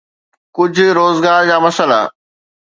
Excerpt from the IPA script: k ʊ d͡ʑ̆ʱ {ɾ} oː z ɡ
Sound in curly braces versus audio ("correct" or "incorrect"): correct